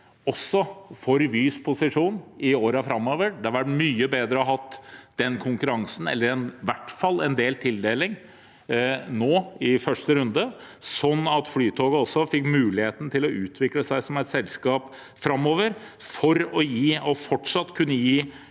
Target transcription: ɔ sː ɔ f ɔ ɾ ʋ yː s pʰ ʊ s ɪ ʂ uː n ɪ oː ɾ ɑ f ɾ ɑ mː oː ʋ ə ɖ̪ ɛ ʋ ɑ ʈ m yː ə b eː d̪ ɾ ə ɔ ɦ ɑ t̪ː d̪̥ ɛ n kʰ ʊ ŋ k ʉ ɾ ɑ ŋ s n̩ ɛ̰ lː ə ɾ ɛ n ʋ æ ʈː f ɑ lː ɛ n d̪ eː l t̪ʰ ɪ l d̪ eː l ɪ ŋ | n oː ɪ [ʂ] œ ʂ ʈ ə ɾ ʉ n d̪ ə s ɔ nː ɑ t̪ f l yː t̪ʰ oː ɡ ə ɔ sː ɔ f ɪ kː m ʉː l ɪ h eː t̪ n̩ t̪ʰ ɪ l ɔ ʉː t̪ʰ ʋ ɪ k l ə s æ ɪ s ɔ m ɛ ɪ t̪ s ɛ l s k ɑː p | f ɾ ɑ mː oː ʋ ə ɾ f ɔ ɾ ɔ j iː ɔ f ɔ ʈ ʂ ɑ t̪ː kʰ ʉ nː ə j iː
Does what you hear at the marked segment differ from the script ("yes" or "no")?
yes